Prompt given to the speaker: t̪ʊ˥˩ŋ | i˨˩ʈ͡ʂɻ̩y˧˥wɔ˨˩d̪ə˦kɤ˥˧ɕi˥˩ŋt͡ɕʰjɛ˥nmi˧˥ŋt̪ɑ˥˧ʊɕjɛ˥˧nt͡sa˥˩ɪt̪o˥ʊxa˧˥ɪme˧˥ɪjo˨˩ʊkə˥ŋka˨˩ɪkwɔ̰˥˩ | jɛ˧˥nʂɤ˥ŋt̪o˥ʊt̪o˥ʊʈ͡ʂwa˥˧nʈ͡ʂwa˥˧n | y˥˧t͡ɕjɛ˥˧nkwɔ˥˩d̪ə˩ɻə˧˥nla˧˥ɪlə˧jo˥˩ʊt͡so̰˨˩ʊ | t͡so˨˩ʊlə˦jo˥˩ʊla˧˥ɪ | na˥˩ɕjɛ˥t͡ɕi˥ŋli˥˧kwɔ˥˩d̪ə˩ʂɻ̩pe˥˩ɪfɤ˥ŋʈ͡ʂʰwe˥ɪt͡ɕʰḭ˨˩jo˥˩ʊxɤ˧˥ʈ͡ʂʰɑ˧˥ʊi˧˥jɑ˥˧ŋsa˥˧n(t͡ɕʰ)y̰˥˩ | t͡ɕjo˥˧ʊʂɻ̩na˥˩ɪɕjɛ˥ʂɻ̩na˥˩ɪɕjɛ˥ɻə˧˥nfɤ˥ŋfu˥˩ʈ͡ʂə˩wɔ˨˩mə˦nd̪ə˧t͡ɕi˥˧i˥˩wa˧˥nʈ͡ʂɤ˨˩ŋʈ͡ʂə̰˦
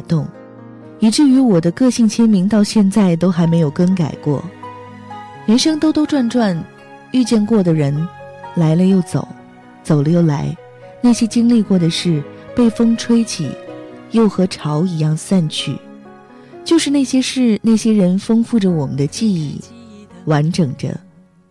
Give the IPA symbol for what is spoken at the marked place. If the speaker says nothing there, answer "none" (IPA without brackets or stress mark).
t͡ɕʰ